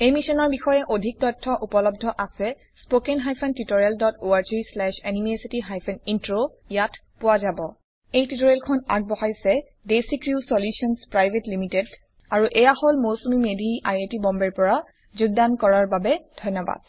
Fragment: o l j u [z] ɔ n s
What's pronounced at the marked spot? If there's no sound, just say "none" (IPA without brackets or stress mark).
s